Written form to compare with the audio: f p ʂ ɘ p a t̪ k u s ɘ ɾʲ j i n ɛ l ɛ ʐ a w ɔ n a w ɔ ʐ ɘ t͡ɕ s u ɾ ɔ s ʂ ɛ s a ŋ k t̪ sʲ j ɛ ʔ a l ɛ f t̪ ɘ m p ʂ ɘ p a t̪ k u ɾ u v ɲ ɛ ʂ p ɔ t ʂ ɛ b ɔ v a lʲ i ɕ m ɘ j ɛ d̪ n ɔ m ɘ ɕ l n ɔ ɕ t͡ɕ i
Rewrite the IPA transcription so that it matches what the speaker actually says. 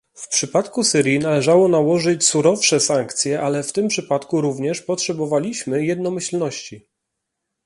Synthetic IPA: f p ʂ ɘ p a t̪ k u s ɘ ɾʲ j i n a l ɛ ʐ a w ɔ n a w ɔ ʐ ɘ t͡ɕ s u ɾ ɔ f ʂ ɛ s a ŋ k t̪ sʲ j ɛ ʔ a l ɛ f t̪ ɘ m p ʂ ɘ p a t̪ k u ɾ u v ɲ ɛ ʂ p ɔ t ʂ ɛ b ɔ v a lʲ i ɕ m ɘ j ɛ d̪ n ɔ m ɘ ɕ l n ɔ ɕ t͡ɕ i